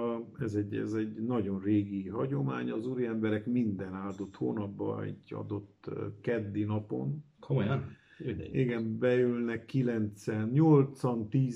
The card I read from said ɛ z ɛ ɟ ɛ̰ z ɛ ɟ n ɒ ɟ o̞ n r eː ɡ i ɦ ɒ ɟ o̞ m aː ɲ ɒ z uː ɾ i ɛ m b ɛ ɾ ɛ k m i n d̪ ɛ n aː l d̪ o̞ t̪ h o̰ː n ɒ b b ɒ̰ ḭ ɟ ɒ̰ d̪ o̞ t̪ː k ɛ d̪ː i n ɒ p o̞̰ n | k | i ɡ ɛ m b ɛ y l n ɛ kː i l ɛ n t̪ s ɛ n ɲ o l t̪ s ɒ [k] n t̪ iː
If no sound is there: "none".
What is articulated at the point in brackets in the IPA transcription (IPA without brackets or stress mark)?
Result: none